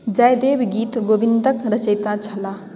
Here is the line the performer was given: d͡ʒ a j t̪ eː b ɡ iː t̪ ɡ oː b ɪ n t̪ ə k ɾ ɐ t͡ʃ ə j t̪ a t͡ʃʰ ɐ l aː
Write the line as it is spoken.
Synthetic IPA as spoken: d͡ʒ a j d̪ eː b ɡ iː t̪ ɡ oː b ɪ n d̪ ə k ɾ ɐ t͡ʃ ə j t̪ a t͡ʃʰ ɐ l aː